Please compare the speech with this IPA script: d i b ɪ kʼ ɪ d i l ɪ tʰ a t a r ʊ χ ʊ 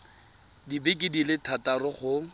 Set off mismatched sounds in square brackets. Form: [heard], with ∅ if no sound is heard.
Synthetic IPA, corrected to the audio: d i b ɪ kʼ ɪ d i l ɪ tʰ a t a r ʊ χ ʊ